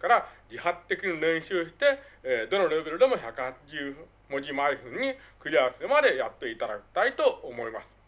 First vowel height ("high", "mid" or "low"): low